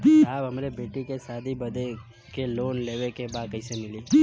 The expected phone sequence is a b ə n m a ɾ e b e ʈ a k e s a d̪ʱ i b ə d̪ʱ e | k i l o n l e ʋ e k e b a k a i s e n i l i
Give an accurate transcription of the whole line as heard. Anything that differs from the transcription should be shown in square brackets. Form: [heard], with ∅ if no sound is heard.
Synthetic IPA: a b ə [∅] m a ɾ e b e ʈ [i] k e s a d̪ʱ i b ə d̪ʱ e | k [e] l o n l e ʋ e k e b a k [ə] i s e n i l i